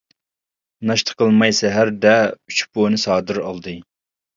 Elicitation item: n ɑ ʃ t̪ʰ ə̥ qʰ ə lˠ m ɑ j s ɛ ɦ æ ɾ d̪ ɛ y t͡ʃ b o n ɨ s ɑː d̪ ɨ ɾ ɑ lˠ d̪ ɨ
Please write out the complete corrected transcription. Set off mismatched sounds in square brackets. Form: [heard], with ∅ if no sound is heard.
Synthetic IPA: n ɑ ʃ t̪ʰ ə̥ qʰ ə lˠ m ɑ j s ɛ ɦ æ ɾ d̪ ɛ y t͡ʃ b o n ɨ s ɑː d̪ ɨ ɾ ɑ lˠ d̪ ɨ